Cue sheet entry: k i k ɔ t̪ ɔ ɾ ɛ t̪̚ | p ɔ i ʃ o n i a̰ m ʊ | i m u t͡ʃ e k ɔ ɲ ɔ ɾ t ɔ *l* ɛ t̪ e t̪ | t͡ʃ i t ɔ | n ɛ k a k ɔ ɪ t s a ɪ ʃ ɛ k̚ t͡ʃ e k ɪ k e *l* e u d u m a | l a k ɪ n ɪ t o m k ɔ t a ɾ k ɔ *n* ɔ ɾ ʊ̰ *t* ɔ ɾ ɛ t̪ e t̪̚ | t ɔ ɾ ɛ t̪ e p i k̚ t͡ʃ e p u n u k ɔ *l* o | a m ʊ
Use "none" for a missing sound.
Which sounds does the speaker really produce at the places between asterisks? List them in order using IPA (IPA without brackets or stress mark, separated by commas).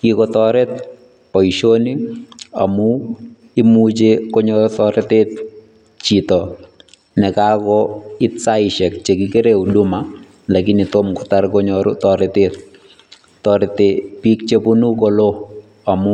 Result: ɾ, ɾ, ɲ, t, l